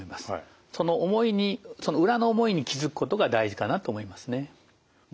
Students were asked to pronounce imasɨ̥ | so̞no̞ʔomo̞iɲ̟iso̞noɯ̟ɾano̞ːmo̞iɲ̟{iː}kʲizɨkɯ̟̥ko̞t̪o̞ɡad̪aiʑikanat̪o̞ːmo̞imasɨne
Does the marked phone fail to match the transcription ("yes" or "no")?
yes